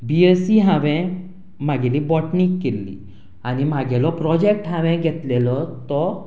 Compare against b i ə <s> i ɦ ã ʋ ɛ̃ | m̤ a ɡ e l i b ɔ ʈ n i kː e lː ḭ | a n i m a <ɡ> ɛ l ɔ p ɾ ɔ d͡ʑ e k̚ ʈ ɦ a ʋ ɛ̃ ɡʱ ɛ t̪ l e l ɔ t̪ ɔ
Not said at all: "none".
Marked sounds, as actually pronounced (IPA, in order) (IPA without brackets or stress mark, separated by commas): s, ɡ